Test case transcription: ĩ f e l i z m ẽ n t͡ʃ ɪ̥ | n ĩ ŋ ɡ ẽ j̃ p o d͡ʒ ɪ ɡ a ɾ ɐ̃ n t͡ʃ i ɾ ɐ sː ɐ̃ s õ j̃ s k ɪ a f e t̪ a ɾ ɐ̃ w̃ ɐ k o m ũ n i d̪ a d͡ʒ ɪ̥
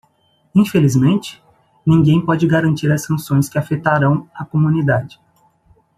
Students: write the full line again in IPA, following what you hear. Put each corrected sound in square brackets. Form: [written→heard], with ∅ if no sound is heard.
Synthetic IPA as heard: ĩ f e l i z m ẽ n t͡ʃ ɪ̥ | n ĩ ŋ ɡ ẽ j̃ p [o→ɔ] d͡ʒ ɪ ɡ a ɾ ɐ̃ n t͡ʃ i ɾ ɐ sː ɐ̃ s õ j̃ s k ɪ a f e t̪ a ɾ ɐ̃ w̃ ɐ k o m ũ n i d̪ a d͡ʒ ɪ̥